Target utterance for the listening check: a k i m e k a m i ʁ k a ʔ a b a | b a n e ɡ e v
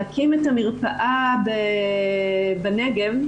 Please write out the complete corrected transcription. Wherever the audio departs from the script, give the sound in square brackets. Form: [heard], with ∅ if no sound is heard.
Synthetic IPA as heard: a k i m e [t] a m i ʁ [p] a ʔ a b [e] | b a n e ɡ e v